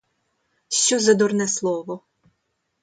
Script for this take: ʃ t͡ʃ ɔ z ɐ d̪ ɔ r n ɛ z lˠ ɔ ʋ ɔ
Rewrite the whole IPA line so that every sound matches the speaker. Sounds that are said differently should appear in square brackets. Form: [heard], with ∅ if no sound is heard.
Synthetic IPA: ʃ t͡ʃ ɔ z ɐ d̪ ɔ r n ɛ [s] lˠ ɔ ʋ ɔ